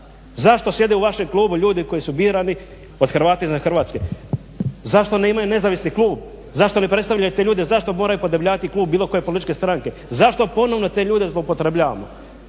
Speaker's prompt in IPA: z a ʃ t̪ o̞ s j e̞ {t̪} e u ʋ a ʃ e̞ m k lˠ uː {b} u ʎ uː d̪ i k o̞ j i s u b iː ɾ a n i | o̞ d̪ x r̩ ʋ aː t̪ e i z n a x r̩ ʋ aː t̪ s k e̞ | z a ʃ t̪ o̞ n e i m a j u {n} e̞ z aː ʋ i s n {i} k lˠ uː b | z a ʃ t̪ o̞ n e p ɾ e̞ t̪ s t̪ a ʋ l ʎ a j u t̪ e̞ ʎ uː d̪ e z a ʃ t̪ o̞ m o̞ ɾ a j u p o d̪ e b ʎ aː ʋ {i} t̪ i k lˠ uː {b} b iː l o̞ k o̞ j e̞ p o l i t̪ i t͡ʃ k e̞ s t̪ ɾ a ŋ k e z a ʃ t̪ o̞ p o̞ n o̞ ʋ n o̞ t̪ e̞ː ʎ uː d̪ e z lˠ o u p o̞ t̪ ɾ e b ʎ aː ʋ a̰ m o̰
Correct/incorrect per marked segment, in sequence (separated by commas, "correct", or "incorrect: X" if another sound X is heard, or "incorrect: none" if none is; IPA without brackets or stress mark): incorrect: d̪, correct, correct, correct, incorrect: a, correct